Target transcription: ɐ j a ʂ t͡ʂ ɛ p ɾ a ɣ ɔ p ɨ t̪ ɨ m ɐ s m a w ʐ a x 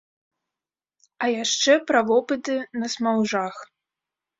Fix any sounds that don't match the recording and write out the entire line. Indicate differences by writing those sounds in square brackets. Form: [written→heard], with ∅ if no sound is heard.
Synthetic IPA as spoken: ɐ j a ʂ t͡ʂ ɛ p ɾ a [ɣ→v] ɔ p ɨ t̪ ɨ [m→n] ɐ s m a w ʐ a x